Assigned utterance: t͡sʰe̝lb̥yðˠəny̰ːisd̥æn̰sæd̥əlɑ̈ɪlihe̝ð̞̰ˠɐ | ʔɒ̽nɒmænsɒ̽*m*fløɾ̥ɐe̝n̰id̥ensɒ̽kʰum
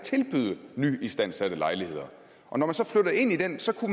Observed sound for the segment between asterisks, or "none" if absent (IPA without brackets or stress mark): none